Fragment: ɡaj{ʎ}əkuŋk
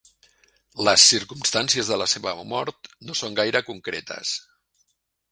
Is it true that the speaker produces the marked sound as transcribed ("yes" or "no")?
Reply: no